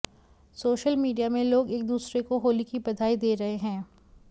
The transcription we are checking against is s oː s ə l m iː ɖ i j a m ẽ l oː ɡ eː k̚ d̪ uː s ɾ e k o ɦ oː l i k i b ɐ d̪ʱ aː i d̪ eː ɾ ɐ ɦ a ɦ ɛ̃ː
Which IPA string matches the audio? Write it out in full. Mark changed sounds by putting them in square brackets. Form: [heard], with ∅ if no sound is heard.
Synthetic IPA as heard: s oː [ʃ] ə l m iː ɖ i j a m ẽ l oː ɡ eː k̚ d̪ uː s ɾ e k o ɦ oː l i k i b ɐ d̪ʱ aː i d̪ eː ɾ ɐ ɦ [e] ɦ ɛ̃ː